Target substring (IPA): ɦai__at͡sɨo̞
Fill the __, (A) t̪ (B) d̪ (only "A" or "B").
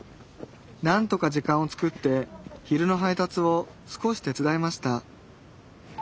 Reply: A